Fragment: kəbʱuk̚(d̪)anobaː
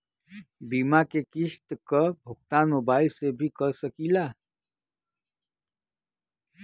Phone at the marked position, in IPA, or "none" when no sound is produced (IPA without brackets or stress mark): t̪